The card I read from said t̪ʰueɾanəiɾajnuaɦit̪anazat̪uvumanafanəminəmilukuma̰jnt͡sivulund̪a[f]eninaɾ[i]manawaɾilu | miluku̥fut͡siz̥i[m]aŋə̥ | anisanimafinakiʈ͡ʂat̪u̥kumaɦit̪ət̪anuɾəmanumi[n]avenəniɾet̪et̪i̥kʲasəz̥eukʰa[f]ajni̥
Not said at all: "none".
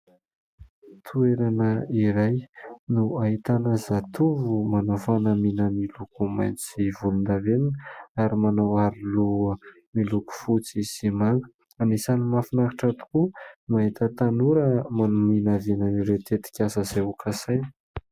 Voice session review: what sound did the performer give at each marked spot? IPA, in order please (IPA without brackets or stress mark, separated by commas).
v, i, m, n, s